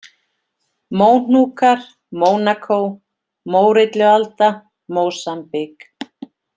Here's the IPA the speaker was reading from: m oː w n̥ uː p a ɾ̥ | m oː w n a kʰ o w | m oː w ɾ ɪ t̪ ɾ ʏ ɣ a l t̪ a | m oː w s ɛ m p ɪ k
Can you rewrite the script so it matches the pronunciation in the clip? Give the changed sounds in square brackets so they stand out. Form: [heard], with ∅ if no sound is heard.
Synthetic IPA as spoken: m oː w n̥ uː [k] a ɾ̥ | m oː w n a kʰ o w | m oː w ɾ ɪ t̪ [l] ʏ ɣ a l t̪ a | m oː w s [a] m p ɪ k

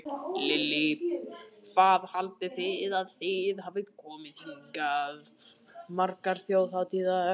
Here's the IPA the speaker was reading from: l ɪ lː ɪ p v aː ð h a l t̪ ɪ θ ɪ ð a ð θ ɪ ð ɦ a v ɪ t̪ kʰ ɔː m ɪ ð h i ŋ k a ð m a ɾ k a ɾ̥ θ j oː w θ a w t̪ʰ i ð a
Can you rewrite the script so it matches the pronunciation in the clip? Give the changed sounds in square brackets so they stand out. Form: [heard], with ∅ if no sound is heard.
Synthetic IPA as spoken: l ɪ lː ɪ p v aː ð h a l t̪ ɪ θ ɪ ð a ð θ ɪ ð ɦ a v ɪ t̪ kʰ ɔː m ɪ ð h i ŋ k a ð m a ɾ k a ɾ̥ θ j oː w θ a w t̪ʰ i ð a

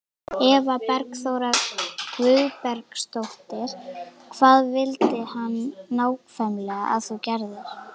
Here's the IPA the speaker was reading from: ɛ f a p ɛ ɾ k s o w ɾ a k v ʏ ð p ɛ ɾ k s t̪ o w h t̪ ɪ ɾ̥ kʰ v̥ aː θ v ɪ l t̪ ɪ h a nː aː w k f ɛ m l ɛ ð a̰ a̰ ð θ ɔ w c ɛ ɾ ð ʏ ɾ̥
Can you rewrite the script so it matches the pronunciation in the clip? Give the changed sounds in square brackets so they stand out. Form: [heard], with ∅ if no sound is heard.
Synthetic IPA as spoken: ɛ [v] a p ɛ ɾ k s o w ɾ a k v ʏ ð p ɛ ɾ k s t̪ o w h t̪ ɪ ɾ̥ kʰ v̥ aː [ð] v ɪ l t̪ ɪ h a nː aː w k f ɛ m l ɛ [ɣ] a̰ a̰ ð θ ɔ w c ɛ ɾ ð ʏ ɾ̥

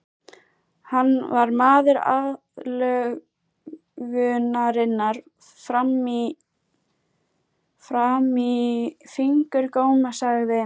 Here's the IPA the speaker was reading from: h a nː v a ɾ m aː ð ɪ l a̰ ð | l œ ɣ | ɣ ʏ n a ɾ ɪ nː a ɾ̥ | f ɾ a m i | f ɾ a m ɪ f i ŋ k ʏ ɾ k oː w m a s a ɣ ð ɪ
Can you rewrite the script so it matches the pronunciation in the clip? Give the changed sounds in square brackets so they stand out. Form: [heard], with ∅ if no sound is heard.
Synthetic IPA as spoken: h a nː v a ɾ m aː ð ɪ [ɾ] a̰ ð | l œ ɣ | ɣ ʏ n a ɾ ɪ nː a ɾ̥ | f ɾ a m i | f ɾ a m [i] f i ŋ k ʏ ɾ k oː w m a s a ɣ ð ɪ

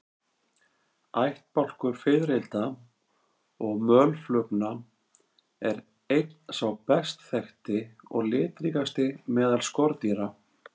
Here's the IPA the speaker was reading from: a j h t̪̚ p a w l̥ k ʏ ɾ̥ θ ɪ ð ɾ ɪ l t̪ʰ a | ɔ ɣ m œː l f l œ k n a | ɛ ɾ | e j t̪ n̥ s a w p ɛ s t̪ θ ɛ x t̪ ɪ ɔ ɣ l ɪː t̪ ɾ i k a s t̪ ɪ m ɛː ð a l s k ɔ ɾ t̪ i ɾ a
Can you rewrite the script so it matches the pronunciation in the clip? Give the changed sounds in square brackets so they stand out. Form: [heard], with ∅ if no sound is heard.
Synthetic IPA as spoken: a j h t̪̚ p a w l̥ k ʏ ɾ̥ [f] ɪ ð ɾ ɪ l [t̪] a | ɔ ɣ m œː l f l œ k n a | ɛ ɾ | e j t̪ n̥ s a w p ɛ s t̪ θ ɛ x t̪ ɪ ɔ ɣ l ɪː t̪ ɾ i k a s t̪ ɪ m ɛː ð a l s k ɔ ɾ t̪ i ɾ a

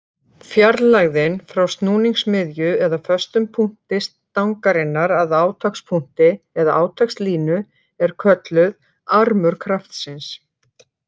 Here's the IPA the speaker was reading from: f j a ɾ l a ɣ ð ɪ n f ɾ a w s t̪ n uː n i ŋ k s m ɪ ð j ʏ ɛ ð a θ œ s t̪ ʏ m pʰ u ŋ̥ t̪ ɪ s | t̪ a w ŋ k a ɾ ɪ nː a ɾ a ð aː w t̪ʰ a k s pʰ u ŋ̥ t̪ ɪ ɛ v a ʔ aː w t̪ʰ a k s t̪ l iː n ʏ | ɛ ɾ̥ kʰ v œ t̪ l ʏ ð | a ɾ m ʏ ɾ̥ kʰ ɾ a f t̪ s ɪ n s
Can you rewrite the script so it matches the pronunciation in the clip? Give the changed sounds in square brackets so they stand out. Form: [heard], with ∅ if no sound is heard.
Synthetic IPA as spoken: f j a ɾ l a ɣ ð ɪ n f ɾ a w s t̪ n uː n i ŋ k s m ɪ ð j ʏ ɛ ð a [f] œ s t̪ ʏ m pʰ u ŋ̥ t̪ ɪ s | t̪ a w ŋ k a ɾ ɪ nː a ɾ a ð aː w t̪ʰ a k s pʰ u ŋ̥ t̪ ɪ ɛ [ð] a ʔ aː w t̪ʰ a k s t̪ l iː n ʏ | ɛ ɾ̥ kʰ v œ t̪ l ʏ ð | a ɾ m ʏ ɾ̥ kʰ ɾ a f t̪ s ɪ n s

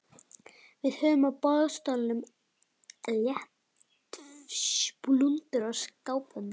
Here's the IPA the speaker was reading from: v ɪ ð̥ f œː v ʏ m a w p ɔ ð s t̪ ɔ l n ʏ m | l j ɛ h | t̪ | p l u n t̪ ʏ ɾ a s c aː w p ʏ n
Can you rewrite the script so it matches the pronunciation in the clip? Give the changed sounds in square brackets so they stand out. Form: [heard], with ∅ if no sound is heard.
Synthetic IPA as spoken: v ɪ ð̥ [h] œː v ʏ m a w p ɔ ð s t̪ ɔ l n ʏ m | l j ɛ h | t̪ | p l u n t̪ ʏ ɾ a s [k] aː w p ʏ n

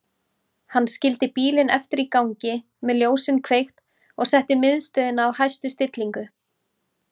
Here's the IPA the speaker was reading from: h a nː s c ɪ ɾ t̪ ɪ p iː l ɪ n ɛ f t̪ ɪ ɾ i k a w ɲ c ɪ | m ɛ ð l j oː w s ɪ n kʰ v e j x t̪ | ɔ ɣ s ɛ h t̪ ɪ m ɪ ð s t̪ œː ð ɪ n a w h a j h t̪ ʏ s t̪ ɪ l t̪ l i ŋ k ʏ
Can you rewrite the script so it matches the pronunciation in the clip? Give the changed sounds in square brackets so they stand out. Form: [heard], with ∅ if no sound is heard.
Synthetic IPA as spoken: h a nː s c ɪ [l] t̪ ɪ p iː l ɪ n ɛ f t̪ ɪ ɾ i k a w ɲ c ɪ | m ɛ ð l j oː w s ɪ n kʰ v e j x t̪ | ɔ ɣ s ɛ h t̪ ɪ m ɪ ð s t̪ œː ð ɪ n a w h a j [s] t̪ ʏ s t̪ ɪ [∅] t̪ l i ŋ k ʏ

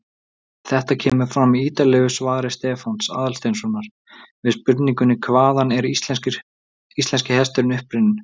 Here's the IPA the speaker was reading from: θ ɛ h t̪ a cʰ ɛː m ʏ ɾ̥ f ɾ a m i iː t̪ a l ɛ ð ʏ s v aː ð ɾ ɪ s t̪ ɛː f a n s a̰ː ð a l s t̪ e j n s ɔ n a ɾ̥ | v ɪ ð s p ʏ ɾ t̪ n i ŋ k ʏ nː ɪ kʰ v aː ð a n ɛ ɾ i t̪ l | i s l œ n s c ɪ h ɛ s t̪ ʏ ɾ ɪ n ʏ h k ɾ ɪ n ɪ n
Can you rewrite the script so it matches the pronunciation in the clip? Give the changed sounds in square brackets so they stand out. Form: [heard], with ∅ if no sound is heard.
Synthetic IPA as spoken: θ ɛ h t̪ a cʰ ɛː m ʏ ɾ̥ f ɾ a m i iː t̪ a l ɛ [ɣ] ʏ s v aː ð ɾ ɪ s t̪ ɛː f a n s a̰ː ð a l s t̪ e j n s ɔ n a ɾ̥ | v ɪ ð s p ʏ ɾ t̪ n i ŋ k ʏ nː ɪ kʰ v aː ð a n ɛ ɾ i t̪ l | i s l [ɛ] n s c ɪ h ɛ s t̪ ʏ ɾ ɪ n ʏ h [p] ɾ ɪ n ɪ n

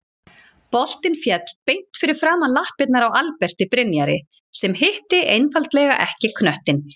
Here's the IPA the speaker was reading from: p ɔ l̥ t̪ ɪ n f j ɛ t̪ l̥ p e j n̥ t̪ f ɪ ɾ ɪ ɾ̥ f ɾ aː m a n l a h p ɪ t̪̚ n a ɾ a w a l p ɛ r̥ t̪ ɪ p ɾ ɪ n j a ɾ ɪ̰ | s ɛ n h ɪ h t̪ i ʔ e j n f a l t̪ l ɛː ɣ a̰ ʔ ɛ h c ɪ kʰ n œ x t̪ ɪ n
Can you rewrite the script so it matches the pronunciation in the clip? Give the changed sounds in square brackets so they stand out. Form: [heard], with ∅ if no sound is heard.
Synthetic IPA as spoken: p ɔ l̥ t̪ ɪ n f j ɛ t̪ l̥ p e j n̥ t̪ f ɪ ɾ ɪ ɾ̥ f ɾ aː m a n l a h p ɪ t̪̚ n a ɾ a w a l p ɛ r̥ t̪ ɪ p ɾ ɪ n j a ɾ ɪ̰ | s ɛ [m] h ɪ h t̪ [ɪ] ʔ e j n f a l t̪ l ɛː ɣ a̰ ʔ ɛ h c ɪ kʰ n œ [h] t̪ ɪ n

